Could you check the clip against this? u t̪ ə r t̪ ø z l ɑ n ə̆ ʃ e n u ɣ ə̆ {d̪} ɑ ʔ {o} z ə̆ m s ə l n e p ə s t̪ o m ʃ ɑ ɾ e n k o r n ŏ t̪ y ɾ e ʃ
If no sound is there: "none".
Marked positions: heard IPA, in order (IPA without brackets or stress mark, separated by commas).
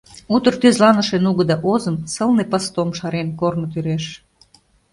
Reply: d̪, o